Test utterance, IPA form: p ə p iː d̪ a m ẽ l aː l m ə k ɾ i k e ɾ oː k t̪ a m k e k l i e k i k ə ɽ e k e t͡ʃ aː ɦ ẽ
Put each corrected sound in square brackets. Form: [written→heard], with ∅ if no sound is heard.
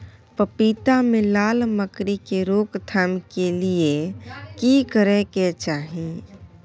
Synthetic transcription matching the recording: p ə p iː [d̪→t̪] a m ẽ l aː l m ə k ɾ i k e ɾ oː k [t̪→t̪ʰ] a m k e [k→∅] l i e k i k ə [ɽ→ɾ] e k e t͡ʃ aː ɦ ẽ